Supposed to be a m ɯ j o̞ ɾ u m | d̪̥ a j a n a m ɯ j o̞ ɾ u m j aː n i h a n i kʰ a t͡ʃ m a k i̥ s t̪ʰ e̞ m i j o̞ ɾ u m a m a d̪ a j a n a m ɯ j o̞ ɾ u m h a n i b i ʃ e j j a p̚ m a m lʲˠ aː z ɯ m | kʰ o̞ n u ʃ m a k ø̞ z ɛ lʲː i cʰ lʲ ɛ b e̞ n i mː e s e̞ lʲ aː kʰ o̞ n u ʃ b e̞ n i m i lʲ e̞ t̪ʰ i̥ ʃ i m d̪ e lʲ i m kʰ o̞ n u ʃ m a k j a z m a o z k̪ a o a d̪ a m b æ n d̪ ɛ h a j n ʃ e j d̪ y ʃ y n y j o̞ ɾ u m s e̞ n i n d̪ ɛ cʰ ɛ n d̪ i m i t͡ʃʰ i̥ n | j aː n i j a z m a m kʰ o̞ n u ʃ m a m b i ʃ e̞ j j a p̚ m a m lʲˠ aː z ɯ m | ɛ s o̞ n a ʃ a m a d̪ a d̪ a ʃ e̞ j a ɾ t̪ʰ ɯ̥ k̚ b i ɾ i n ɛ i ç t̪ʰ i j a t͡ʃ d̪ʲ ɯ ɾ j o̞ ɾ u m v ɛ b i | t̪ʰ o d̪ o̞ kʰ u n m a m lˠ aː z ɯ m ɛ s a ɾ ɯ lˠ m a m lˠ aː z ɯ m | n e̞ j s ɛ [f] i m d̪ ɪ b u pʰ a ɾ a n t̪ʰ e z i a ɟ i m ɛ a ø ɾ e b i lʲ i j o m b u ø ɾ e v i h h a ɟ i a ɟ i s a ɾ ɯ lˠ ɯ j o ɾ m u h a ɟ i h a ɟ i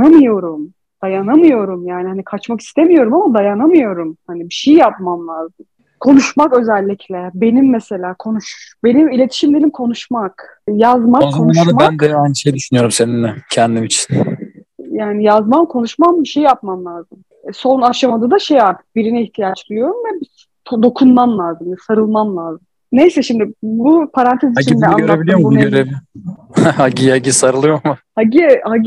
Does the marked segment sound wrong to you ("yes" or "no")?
yes